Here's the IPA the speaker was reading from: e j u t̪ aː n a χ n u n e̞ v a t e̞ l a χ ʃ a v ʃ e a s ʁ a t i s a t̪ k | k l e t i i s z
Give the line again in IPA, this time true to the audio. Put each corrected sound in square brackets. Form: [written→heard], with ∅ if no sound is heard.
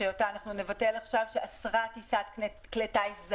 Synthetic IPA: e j [u→o] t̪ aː n a χ n u n e̞ v a t e̞ l a χ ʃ a v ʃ e a s ʁ a t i s a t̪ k | k l e t [i→a] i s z